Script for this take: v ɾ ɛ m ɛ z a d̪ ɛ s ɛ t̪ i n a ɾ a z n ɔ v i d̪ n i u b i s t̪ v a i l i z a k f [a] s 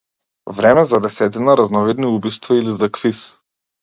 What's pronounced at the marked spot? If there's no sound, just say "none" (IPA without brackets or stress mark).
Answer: i